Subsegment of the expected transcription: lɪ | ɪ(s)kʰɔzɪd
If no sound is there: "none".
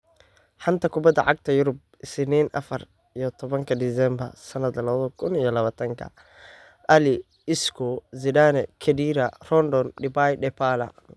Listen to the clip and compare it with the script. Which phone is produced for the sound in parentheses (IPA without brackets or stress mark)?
s